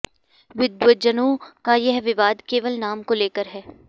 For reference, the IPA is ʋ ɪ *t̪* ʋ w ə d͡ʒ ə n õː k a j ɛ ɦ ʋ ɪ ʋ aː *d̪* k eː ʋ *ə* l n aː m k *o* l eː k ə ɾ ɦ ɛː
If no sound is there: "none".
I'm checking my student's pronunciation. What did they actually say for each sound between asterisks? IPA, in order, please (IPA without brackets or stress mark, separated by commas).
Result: d̪, d̪, ə, o